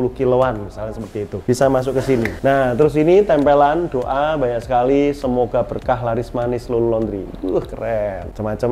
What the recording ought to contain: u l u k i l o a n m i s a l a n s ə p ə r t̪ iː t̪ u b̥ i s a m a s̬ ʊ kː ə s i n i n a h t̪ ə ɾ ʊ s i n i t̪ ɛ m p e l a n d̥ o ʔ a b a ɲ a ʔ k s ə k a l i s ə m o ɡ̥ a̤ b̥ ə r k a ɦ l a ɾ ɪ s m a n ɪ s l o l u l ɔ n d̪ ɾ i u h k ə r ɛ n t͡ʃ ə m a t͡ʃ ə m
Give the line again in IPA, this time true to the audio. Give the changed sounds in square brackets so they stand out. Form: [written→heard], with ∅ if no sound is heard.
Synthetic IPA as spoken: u l u k i l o a n m i s a l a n s ə p ə r t̪ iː t̪ u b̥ i s a m a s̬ ʊ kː ə s i n i n a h t̪ ə ɾ ʊ s i n i t̪ ɛ m p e l a n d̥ o ʔ a b a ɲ a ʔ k s ə k a l i s ə m o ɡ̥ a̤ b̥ ə r k a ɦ l a ɾ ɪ s m a n ɪ s l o l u l ɔ n d̪ ɾ i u h k ə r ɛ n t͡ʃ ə m a t͡ʃ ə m